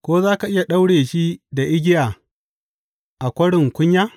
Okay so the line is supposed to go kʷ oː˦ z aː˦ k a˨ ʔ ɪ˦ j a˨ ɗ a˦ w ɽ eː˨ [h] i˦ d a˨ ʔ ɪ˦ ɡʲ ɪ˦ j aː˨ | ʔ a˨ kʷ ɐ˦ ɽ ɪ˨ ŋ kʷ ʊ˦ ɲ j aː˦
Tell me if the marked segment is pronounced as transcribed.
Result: no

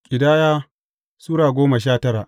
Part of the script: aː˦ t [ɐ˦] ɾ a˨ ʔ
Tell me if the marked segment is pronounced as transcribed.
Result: yes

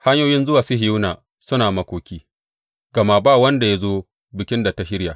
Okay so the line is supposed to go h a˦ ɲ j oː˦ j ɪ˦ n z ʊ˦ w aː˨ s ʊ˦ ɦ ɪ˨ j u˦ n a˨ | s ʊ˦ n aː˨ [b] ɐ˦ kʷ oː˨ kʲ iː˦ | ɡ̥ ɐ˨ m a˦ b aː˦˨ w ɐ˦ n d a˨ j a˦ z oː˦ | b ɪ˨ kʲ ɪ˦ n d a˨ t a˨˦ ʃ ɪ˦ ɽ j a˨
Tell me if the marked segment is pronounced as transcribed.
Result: no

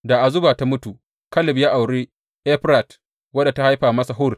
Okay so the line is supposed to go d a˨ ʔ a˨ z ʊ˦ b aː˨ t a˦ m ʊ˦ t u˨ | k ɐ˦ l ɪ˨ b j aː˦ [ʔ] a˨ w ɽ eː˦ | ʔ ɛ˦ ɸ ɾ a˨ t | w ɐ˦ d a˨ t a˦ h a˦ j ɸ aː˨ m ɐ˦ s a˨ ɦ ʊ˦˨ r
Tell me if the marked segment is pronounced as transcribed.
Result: yes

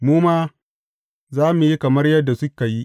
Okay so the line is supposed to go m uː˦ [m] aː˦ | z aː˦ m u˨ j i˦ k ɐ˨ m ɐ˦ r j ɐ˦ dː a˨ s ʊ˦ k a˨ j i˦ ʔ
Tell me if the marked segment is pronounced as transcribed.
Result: yes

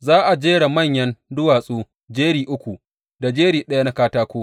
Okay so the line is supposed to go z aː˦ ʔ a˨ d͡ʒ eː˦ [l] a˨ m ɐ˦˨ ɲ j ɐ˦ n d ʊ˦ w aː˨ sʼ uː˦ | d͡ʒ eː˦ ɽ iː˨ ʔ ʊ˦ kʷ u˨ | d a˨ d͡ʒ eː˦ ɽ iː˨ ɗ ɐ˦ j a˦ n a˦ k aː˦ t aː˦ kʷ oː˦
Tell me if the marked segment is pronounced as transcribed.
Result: no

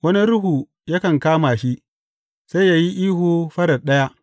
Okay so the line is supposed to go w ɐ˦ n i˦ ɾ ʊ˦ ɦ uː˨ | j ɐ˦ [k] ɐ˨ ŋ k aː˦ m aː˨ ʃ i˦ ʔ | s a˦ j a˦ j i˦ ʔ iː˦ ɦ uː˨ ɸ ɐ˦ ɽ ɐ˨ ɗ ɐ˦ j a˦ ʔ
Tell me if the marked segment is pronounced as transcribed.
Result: yes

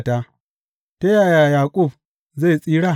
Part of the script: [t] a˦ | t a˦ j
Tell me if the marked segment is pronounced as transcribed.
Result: yes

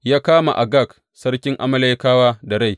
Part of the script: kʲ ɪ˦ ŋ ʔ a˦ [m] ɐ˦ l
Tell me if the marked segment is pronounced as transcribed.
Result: yes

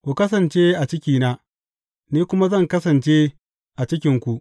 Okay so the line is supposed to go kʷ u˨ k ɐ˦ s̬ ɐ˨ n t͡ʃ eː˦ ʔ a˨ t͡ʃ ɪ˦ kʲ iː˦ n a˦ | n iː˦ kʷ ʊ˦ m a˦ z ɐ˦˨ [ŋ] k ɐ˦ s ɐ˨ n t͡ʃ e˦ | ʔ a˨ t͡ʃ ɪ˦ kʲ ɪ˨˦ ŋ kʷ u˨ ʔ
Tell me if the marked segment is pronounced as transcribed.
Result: yes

